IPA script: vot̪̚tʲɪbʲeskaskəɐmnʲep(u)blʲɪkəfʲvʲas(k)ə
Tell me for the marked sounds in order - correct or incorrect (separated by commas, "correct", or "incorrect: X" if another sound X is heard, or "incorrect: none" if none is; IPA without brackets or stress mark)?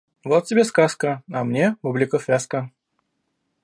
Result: correct, correct